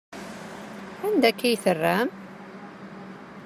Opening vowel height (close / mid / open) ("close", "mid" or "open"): open